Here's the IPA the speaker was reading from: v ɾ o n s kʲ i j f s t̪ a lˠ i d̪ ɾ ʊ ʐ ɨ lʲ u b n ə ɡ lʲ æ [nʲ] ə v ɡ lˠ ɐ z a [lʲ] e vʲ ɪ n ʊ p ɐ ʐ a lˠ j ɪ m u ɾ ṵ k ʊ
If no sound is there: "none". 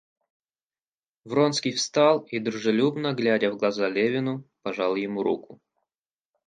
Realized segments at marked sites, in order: dʲ, lʲ

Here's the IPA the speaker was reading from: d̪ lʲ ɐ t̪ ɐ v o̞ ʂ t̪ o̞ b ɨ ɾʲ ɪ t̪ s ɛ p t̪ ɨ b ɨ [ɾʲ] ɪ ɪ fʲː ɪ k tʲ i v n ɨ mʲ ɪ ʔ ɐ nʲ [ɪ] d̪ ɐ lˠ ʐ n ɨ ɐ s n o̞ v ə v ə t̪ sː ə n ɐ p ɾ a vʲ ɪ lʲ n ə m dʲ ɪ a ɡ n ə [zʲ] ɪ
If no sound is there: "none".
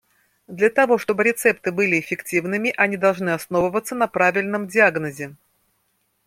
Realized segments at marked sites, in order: lʲ, i, zʲ

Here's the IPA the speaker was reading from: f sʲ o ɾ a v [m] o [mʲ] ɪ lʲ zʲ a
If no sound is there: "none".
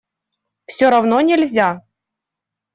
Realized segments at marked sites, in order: n, nʲ

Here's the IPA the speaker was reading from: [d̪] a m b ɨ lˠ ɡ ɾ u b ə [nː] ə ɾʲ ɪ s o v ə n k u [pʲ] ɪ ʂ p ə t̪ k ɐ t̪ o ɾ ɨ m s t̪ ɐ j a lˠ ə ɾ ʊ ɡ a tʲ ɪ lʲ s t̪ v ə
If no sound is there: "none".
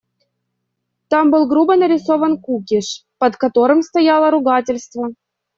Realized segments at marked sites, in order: t̪, n, kʲ

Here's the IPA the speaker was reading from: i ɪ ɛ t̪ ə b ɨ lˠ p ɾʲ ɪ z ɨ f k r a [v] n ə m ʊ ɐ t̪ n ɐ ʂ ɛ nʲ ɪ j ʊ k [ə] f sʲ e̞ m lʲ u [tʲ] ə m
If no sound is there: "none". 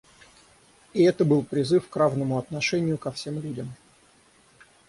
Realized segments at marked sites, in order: v, ɐ, dʲ

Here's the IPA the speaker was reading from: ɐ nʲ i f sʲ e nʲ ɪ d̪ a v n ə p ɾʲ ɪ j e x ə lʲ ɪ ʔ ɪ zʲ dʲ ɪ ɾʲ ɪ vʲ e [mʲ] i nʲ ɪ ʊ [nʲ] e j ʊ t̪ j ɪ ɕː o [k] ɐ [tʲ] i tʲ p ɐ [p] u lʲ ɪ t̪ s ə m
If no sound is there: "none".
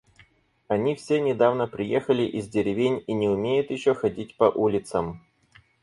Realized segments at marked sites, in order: nʲ, mʲ, x, dʲ, ʔ

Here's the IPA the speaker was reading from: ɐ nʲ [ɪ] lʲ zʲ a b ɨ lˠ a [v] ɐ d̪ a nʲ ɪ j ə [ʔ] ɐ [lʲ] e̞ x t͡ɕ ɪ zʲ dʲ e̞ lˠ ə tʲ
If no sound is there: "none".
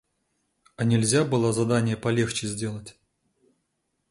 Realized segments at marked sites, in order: ɪ, z, p, lʲ

